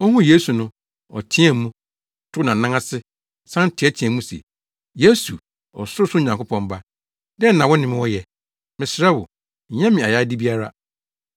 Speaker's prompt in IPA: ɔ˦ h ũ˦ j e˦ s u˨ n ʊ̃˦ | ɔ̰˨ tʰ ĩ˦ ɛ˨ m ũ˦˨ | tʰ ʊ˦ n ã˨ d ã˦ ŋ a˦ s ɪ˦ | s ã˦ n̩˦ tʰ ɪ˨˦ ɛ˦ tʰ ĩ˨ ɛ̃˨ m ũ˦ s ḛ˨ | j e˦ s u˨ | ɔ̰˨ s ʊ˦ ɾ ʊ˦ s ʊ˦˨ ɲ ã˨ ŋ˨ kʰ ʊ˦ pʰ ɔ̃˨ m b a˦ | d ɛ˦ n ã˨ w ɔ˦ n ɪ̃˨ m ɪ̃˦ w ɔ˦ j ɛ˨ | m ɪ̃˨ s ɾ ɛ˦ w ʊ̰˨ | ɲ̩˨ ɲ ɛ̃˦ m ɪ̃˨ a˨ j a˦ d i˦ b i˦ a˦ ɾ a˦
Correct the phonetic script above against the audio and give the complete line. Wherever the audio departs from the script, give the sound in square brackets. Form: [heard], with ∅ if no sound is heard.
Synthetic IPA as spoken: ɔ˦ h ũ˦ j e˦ s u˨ n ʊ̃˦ | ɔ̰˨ tʰ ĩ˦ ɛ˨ m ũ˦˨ | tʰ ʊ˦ n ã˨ [n] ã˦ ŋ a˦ s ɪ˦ | s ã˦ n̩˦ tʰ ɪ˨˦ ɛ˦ tʰ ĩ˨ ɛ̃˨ m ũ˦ s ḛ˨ | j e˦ s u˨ | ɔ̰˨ s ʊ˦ ɾ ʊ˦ s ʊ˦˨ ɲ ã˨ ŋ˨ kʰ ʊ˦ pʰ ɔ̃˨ m b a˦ | d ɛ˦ n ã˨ w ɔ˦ n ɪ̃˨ m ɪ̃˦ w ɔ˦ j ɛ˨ | m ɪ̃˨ s ɾ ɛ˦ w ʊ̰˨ | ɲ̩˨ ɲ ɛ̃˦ m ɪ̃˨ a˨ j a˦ d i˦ b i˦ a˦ ɾ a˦